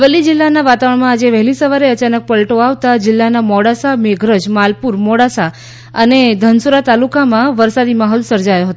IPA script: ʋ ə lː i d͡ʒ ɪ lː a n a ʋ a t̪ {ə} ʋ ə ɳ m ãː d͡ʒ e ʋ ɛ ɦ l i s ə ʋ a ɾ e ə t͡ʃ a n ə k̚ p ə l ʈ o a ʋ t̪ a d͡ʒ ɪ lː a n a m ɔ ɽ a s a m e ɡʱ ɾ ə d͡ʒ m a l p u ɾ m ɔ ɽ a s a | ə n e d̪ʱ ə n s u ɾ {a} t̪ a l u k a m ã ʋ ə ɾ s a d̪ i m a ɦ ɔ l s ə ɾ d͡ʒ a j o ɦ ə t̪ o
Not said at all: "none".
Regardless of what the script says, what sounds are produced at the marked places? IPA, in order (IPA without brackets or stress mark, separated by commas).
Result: a, a